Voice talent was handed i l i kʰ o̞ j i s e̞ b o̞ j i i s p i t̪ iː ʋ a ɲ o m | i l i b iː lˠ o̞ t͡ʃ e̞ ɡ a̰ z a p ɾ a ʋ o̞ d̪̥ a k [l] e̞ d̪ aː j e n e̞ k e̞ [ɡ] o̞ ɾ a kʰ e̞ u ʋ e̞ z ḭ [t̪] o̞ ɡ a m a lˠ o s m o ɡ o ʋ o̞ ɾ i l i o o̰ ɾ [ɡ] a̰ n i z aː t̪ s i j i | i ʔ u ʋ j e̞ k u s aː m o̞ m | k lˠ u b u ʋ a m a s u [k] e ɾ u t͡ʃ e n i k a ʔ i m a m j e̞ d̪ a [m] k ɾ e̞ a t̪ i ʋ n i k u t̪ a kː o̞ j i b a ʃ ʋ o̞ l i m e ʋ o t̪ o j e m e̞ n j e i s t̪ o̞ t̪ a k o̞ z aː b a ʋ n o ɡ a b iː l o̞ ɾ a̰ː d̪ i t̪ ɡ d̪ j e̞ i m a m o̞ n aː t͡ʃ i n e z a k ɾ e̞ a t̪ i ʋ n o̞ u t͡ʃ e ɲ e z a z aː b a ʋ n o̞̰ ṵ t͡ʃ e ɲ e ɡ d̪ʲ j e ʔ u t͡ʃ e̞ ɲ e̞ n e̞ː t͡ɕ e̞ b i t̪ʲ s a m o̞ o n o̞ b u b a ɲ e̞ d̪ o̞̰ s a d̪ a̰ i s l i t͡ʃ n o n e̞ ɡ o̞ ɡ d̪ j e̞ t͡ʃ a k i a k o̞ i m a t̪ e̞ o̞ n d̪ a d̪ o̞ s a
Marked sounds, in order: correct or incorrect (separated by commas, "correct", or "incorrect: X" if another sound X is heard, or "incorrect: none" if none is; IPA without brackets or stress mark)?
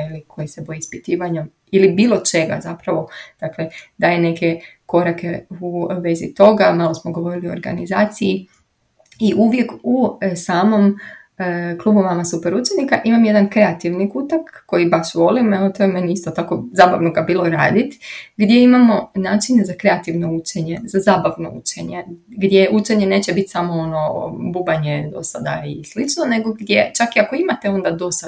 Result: correct, incorrect: k, correct, correct, incorrect: p, incorrect: n